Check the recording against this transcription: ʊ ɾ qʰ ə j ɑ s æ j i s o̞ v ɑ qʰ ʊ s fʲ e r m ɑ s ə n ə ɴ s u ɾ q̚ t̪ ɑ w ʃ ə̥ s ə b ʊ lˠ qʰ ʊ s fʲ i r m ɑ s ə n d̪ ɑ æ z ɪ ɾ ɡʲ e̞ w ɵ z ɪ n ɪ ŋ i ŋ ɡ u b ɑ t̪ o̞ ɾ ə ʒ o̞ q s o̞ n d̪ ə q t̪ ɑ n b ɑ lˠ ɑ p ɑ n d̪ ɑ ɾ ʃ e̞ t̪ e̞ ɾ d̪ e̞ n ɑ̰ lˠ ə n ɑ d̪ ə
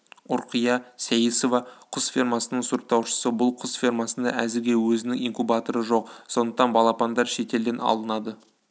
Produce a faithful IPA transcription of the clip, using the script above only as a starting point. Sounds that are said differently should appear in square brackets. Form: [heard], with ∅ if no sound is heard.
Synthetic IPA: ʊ ɾ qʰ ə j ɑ s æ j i s o̞ v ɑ qʰ ʊ s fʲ [i] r m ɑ s ə n ə ɴ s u ɾ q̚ t̪ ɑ w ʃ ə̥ s ə b ʊ lˠ qʰ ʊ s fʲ i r m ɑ s ə n d̪ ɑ æ z ɪ ɾ ɡʲ e̞ w ɵ z ɪ n ɪ ŋ i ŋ [k] u b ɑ t̪ o̞ ɾ ə ʒ o̞ q s o̞ n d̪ ə q t̪ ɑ n b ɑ lˠ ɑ p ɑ n d̪ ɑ ɾ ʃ e̞ t̪ e̞ [l] d̪ e̞ n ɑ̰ lˠ ə n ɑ d̪ ə